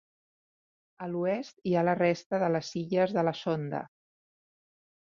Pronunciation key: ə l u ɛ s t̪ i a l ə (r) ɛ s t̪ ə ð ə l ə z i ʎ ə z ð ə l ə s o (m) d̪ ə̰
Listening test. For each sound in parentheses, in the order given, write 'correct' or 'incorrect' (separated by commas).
correct, incorrect